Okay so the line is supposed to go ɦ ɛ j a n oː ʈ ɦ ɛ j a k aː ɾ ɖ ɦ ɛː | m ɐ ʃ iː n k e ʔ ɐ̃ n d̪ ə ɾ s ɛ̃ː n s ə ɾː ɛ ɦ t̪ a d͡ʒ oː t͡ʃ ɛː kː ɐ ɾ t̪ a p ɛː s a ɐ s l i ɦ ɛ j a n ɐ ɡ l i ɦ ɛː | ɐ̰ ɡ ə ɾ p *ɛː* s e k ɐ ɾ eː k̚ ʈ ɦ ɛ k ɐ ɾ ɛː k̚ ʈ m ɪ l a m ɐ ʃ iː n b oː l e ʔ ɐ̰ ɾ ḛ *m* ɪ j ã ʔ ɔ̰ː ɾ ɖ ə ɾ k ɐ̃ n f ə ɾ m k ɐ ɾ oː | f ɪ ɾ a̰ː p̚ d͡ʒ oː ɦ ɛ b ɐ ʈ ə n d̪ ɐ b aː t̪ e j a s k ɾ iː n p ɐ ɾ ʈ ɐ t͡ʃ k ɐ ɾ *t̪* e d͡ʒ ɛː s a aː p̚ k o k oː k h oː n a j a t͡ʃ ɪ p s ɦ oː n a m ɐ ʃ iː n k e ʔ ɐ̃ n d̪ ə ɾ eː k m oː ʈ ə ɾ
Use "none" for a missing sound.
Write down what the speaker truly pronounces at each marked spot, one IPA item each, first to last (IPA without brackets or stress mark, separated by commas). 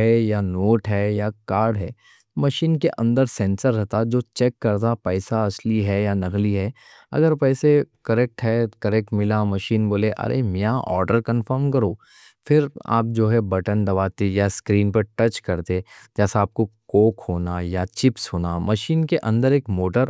ɛː, m, t̪